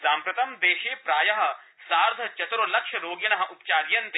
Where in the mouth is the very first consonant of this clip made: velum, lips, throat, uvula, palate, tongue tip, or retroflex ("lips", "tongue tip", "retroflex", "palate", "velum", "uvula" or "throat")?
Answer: tongue tip